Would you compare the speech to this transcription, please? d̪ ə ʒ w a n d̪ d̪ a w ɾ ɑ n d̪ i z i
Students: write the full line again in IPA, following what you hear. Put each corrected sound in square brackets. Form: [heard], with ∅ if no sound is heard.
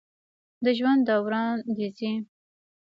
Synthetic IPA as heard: d̪ ə ʒ w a n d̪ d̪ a w ɾ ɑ n d̪ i z i